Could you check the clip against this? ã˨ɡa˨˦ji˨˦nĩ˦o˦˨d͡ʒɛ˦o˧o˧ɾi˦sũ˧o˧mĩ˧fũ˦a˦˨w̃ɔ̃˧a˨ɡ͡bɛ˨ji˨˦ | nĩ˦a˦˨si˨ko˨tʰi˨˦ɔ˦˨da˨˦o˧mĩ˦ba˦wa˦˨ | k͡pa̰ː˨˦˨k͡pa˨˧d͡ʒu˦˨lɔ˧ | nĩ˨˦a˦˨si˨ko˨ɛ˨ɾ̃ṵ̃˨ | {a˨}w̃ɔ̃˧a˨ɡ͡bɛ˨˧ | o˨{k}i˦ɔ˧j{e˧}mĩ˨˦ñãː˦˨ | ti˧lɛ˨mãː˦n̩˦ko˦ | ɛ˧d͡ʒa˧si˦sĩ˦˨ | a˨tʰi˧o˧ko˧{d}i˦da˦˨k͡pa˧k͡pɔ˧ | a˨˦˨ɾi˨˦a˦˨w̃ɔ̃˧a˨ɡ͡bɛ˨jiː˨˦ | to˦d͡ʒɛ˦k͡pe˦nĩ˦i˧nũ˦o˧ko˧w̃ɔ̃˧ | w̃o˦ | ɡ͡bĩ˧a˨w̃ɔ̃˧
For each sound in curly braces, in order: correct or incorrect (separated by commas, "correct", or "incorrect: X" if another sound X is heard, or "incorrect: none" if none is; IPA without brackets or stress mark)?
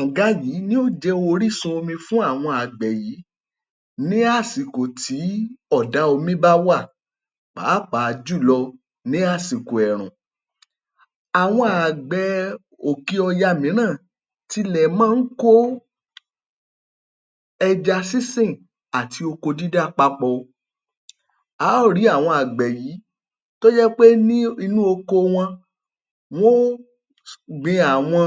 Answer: correct, correct, incorrect: a˧, correct